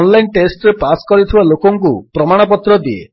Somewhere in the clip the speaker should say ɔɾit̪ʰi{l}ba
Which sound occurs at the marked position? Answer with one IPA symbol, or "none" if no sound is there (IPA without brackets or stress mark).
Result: none